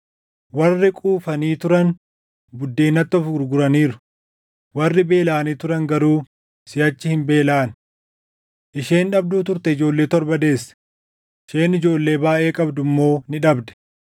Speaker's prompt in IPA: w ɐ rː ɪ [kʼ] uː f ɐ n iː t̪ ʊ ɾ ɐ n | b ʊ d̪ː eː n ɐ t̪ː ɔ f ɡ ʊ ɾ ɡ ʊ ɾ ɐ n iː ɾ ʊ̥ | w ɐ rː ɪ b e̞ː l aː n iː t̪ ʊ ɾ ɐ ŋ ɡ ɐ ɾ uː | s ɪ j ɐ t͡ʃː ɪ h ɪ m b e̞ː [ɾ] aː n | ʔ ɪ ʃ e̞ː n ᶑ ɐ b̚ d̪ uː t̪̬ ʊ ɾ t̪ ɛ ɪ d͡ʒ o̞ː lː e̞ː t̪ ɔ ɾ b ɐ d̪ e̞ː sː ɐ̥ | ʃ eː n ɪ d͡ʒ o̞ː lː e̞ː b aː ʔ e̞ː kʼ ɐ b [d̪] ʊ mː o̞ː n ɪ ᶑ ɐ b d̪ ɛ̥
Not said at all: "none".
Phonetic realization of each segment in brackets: kʼ, l, d̪

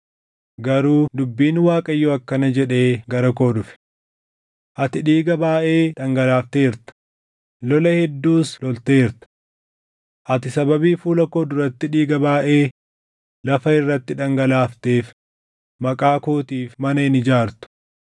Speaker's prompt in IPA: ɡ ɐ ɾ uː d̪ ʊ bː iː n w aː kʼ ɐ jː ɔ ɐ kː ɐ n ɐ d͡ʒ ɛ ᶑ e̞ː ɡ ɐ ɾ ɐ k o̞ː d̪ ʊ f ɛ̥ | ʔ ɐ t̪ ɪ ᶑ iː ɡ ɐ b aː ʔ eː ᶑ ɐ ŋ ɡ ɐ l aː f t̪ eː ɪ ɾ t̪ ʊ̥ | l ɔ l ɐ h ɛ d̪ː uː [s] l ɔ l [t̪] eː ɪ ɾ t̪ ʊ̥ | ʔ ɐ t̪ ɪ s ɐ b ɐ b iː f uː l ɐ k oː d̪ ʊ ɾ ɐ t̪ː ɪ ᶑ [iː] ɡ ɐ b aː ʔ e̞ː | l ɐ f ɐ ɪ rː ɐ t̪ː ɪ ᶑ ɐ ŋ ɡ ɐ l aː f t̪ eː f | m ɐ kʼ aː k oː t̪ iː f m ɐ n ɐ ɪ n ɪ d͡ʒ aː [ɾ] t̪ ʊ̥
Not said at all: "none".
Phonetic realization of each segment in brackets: s, t̪, iː, ɾ

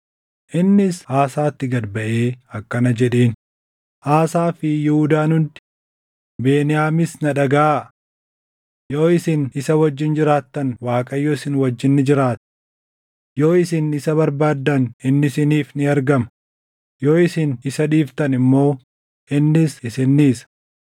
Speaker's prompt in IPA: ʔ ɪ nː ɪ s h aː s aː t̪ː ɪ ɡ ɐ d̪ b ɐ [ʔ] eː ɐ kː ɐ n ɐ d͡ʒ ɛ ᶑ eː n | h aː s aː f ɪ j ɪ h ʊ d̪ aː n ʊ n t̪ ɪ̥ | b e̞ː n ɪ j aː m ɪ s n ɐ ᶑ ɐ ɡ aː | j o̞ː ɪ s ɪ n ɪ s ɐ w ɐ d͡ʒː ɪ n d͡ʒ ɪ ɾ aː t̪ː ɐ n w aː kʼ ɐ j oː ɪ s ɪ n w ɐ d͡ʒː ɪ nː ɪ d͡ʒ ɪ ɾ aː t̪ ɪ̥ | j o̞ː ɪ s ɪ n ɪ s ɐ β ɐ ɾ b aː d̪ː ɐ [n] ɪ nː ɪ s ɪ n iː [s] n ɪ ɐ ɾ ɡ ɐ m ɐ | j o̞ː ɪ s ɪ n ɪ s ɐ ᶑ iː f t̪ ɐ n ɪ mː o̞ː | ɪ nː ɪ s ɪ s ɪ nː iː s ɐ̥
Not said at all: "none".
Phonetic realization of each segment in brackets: ʔ, n, f

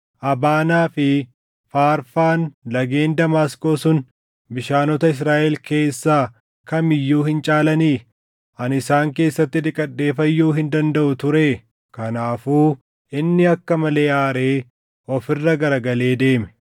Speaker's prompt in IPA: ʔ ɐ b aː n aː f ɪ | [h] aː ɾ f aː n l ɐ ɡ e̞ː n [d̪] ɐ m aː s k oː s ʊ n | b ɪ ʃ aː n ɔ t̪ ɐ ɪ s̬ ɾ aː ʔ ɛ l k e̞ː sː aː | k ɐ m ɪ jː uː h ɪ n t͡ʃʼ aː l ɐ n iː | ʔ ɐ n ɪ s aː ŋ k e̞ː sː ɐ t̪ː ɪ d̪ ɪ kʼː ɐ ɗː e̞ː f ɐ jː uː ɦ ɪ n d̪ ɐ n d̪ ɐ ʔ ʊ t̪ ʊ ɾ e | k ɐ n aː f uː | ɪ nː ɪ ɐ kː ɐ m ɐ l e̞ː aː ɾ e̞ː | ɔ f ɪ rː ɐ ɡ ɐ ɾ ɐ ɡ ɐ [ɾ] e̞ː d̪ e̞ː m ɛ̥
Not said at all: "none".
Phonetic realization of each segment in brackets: f, d̪, l

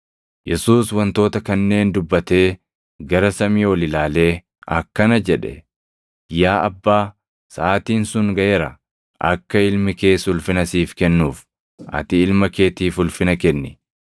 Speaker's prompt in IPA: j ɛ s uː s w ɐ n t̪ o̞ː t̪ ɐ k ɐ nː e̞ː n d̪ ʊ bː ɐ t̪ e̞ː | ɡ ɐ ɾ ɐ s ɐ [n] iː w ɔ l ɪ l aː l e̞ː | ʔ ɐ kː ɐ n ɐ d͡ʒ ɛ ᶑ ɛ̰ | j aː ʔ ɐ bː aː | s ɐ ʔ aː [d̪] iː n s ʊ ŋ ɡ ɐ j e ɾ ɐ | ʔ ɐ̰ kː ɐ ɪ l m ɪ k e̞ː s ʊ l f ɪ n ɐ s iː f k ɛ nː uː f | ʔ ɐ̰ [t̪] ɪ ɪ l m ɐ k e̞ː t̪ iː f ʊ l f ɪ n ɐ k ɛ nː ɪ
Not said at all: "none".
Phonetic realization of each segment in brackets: m, t̪, t̪

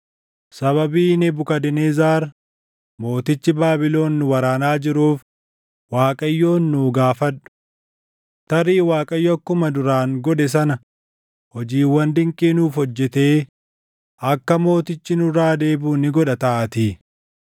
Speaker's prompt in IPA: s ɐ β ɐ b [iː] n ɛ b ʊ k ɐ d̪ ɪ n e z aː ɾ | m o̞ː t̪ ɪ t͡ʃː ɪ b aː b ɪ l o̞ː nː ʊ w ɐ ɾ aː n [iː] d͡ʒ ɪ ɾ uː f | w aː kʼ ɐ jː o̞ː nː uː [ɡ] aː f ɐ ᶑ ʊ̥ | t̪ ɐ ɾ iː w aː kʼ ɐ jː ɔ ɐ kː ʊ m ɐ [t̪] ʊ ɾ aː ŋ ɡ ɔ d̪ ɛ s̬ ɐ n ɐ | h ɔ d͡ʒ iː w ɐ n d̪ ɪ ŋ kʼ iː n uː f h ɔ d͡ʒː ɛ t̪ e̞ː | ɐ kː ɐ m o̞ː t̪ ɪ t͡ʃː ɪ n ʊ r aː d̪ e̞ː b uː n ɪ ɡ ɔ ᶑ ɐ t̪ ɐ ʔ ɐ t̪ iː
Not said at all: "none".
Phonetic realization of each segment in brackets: iː, aː, ɡ, d̪

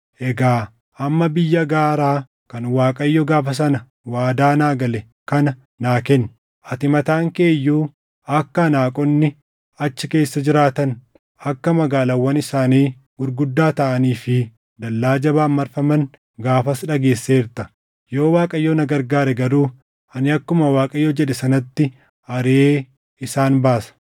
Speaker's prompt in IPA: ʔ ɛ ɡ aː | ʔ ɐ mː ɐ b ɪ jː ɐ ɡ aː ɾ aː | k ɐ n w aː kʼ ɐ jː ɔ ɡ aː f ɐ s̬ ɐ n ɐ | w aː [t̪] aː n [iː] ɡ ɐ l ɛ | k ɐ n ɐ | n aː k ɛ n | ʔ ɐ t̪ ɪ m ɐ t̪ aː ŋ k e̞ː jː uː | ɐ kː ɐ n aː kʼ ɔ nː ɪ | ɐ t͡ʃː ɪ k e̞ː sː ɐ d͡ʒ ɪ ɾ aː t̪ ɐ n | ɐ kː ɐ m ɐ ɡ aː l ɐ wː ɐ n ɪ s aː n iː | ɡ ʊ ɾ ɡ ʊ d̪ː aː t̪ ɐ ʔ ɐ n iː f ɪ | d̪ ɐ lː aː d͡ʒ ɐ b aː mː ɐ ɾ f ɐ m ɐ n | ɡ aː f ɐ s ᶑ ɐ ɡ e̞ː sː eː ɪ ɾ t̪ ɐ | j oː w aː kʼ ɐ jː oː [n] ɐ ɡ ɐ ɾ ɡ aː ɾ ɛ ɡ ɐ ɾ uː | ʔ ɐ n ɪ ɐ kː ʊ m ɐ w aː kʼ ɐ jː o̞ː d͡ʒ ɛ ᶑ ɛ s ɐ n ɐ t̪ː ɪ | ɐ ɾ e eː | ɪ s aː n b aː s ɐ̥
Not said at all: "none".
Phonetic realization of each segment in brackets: d̪, aː, n

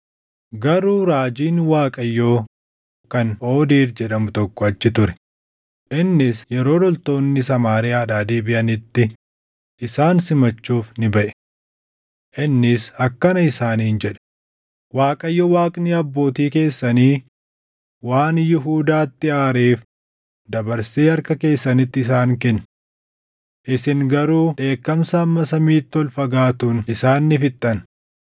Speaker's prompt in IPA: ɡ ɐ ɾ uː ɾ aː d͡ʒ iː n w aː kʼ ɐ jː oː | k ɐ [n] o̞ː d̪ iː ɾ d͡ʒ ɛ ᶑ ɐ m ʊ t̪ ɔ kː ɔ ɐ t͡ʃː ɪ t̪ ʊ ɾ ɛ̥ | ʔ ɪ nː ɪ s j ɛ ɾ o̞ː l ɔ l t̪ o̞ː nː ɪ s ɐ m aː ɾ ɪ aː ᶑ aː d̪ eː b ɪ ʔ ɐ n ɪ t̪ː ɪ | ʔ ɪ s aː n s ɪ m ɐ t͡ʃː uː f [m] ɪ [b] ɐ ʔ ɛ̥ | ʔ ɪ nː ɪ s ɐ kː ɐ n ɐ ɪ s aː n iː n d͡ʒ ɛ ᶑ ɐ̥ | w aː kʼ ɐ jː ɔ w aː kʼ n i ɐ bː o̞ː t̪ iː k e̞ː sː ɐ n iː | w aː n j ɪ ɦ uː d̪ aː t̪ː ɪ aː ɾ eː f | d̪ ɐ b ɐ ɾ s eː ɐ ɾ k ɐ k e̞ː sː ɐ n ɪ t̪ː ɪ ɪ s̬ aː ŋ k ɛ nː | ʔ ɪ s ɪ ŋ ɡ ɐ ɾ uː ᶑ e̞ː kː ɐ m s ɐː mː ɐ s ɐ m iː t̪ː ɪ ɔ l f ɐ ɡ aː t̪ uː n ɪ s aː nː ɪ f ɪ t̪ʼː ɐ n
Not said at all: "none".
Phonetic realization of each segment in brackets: n, n, b

